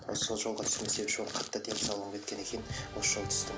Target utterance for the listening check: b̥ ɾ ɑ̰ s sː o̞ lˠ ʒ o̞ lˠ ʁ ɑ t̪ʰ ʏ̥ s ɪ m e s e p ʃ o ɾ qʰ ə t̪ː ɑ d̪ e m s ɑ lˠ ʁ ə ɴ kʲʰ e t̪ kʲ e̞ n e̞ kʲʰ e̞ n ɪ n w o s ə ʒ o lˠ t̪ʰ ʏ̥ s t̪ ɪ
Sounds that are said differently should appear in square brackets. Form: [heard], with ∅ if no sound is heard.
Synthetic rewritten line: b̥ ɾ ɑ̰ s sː o̞ lˠ ʒ o̞ lˠ ʁ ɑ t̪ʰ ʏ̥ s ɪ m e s e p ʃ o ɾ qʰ [ɑ] t̪ː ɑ d̪ e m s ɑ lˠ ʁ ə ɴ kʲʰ e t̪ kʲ e̞ n e̞ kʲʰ e̞ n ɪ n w o s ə ʒ o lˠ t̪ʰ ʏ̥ s t̪ ɪ